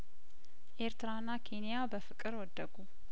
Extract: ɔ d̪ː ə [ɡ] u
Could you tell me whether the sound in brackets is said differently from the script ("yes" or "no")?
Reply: no